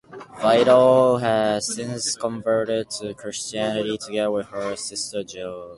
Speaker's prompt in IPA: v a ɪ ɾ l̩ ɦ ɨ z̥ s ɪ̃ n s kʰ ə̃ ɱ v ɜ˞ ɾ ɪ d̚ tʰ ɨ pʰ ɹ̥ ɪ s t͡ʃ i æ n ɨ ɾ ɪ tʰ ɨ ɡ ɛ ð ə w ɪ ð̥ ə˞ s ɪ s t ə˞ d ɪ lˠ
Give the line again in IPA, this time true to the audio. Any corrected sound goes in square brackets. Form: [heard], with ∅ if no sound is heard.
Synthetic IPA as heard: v a ɪ ɾ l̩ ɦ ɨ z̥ s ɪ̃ n s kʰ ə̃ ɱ v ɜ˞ ɾ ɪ d̚ tʰ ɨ [kʰ] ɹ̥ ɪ s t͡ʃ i æ n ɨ ɾ [i] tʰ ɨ ɡ ɛ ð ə w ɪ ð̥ ə˞ s ɪ s t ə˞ [d͡ʒ] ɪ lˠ